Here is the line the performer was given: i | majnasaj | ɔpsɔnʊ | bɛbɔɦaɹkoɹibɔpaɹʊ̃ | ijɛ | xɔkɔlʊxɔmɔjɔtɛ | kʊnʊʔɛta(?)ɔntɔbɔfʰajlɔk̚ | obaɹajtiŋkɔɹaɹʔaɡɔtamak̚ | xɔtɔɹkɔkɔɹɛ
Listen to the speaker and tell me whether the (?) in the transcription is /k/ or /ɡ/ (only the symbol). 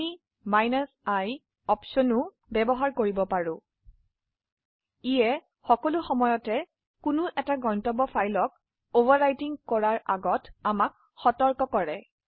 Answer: ɡ